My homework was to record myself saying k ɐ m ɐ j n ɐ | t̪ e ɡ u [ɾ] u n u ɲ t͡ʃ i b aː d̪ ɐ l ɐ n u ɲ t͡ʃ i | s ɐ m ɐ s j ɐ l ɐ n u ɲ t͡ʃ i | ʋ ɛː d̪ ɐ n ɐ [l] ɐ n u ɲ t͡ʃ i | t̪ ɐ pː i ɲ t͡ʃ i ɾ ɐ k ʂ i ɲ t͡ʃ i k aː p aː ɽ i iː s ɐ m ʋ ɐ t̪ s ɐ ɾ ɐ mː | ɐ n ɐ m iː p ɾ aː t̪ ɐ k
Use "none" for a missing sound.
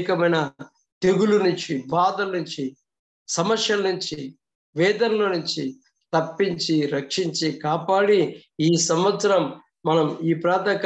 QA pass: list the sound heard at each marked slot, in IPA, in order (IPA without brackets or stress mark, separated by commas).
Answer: l, l